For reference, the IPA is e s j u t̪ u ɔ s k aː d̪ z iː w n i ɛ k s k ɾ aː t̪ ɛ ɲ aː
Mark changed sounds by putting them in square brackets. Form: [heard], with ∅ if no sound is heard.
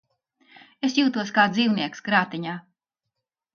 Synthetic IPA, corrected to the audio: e s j [uː] t̪ u ɔ s k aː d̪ z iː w n i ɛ k s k ɾ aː t̪ [i] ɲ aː